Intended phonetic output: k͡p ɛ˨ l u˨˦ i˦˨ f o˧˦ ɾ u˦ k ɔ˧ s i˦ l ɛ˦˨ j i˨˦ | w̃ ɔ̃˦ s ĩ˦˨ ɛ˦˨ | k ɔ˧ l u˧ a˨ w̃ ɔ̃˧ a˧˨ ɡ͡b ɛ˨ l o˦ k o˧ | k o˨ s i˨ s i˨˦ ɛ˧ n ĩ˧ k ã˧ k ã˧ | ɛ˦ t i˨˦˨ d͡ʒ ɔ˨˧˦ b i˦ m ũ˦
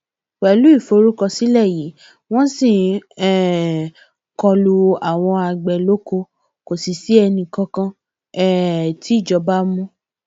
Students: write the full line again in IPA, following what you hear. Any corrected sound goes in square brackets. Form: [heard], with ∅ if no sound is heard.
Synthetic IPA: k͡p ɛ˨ l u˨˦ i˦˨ f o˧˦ ɾ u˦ k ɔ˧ s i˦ l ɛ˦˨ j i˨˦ | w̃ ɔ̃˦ s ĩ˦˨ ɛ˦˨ | k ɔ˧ l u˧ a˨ w̃ ɔ̃˧ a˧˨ ɡ͡b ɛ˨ l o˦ k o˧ | k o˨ s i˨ s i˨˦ ɛ˧ n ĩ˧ k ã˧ k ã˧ | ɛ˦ t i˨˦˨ d͡ʒ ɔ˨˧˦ b [a˦] m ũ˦